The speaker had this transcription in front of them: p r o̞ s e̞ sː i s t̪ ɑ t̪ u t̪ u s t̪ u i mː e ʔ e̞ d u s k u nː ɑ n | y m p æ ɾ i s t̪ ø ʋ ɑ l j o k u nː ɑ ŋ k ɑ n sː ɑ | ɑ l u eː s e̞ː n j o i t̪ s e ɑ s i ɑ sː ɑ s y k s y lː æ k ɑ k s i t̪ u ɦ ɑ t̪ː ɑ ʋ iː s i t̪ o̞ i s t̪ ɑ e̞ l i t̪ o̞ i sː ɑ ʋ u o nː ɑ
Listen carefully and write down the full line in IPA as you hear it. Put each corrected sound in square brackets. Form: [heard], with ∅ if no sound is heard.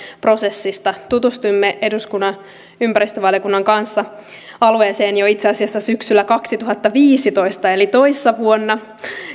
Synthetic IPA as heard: p r o̞ s e̞ sː i s t̪ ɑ t̪ u t̪ u s t̪ u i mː e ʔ e̞ d u s k u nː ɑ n | y m p æ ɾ i s t̪ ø ʋ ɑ l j o k u nː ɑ ŋ k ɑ n sː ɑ | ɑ l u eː s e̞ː n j o i t̪ s e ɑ s i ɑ sː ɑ s y k s y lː æ k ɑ k s i t̪ u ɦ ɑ t̪ː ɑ ʋ iː s i t̪ o̞ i s t̪ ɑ e̞ l i t̪ o̞ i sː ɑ ʋ u o nː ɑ